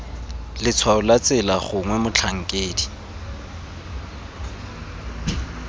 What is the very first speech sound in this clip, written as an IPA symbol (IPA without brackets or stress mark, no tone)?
l